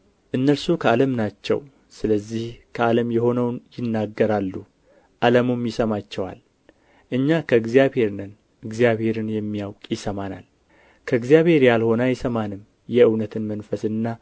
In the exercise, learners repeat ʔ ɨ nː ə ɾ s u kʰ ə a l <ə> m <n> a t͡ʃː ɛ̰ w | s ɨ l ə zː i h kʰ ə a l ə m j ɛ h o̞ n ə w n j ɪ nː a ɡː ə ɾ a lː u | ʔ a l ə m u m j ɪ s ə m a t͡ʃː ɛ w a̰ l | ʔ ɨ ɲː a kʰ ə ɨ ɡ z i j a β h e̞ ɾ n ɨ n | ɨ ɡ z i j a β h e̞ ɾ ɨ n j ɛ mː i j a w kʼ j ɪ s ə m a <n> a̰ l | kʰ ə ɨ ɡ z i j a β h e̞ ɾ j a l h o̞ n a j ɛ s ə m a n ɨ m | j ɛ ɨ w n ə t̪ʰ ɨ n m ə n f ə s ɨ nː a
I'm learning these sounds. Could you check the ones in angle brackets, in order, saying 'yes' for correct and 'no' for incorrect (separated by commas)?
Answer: yes, yes, yes